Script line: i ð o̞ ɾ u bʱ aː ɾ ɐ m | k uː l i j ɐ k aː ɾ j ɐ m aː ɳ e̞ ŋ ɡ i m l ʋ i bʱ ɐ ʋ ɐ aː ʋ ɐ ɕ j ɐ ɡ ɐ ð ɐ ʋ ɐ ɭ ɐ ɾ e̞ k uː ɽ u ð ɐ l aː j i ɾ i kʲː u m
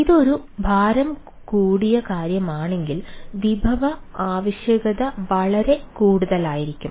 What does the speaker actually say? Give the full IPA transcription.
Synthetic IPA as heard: i ð o̞ ɾ u bʱ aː ɾ ɐ m | k uː ɽ i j ɐ k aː ɾ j ɐ m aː ɳ e̞ ŋ ɡ i l ʋ i bʱ ɐ ʋ ɐ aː ʋ ɐ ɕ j ɐ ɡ ɐ ð ɐ ʋ ɐ ɭ ɐ ɾ e̞ k uː ɽ u ð ɐ l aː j i ɾ i kʲː u m